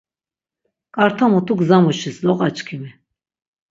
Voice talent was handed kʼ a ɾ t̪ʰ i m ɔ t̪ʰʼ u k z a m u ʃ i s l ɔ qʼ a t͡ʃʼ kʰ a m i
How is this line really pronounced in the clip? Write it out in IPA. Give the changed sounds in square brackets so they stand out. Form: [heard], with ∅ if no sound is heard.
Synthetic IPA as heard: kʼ a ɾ t̪ʰ [a] m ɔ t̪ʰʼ u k z a m u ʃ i s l ɔ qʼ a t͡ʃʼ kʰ [i] m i